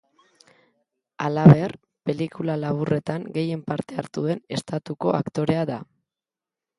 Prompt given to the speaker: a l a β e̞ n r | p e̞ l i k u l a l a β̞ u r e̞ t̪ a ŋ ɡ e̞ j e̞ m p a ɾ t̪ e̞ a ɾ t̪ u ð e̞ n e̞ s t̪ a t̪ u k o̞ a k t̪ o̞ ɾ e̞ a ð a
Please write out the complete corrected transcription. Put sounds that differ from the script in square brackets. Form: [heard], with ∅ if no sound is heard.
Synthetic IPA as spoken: a l a β e̞ [∅] r | p e̞ l i k u l a l a β̞ u r e̞ t̪ a ŋ ɡ e̞ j e̞ m p a ɾ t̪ e̞ a ɾ t̪ u ð e̞ n e̞ s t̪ a t̪ u k o̞ a k t̪ o̞ ɾ e̞ a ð a